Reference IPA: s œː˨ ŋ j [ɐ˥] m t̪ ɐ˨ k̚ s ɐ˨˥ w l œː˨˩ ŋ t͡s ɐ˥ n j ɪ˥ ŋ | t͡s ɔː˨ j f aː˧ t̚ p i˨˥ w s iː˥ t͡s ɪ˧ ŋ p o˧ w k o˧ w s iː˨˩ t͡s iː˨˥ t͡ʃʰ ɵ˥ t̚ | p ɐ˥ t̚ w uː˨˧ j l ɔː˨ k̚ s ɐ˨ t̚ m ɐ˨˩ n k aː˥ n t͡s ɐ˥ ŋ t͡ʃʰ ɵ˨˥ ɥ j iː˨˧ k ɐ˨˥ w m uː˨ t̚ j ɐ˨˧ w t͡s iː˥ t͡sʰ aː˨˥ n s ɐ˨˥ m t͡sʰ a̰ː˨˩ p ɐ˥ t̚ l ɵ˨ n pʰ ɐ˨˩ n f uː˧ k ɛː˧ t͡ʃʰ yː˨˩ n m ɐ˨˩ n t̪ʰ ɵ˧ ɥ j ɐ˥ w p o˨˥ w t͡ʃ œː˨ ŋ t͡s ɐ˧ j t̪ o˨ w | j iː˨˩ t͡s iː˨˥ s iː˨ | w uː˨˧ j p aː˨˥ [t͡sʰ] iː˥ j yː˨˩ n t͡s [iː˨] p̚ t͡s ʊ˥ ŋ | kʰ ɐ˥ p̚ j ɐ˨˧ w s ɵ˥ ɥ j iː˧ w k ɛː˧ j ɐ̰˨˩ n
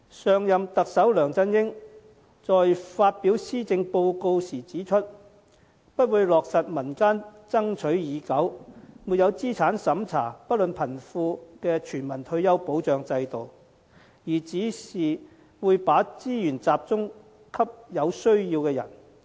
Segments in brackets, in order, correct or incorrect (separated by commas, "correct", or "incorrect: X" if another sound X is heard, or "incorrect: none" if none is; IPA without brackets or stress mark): incorrect: ɐ˨, incorrect: t͡s, incorrect: aː˨